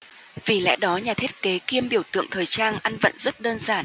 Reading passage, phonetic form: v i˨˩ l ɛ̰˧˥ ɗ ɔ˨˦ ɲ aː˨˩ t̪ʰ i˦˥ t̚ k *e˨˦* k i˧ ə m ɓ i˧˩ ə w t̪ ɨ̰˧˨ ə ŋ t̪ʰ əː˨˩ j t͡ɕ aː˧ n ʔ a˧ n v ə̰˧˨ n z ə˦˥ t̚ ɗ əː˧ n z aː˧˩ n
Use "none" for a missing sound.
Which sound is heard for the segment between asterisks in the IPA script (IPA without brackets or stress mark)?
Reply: e˨˦